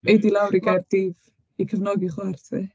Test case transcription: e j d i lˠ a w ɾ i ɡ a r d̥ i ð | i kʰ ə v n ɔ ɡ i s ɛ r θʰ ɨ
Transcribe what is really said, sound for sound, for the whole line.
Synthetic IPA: e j d i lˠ a w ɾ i ɡ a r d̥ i v | i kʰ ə v n ɔ ɡ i χ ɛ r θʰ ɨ